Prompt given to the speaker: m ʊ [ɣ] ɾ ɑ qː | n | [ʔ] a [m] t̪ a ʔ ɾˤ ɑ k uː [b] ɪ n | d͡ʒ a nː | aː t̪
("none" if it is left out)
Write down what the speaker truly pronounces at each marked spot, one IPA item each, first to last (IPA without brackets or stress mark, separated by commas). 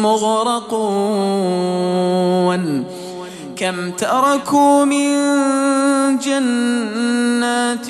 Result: ɣ, k, m, m